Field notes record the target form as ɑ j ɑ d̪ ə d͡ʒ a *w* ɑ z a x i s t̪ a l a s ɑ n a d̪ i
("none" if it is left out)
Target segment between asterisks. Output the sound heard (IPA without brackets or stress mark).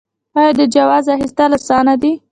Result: w